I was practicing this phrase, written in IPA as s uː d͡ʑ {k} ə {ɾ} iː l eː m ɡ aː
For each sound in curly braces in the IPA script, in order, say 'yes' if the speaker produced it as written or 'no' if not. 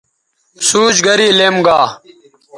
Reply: no, yes

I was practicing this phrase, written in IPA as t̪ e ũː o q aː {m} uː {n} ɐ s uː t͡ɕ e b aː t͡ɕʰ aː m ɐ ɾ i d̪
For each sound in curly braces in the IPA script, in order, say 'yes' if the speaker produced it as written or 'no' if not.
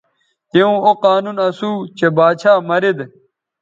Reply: no, yes

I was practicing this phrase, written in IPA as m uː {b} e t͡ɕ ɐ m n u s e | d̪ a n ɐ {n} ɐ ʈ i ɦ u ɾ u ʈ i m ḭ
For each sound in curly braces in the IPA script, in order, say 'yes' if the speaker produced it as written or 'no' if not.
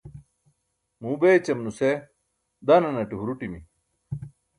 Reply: yes, yes

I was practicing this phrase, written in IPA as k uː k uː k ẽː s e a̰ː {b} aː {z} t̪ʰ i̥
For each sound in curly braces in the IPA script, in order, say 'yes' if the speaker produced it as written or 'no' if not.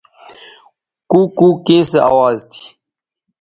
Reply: no, yes

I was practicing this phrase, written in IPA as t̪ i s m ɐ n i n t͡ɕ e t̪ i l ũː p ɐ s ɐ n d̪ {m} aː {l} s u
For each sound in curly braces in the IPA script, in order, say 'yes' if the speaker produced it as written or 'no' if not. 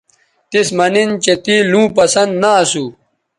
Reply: no, no

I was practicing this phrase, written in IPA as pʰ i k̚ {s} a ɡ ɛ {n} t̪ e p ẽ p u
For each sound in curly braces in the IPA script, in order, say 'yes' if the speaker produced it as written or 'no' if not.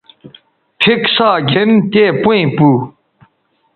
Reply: yes, yes

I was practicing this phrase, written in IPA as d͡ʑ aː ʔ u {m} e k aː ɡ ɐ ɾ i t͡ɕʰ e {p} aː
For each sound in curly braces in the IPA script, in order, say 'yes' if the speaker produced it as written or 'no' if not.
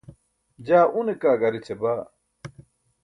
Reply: no, no

